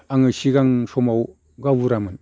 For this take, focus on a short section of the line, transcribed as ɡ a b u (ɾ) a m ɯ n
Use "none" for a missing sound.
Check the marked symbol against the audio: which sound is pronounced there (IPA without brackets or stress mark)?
ɾ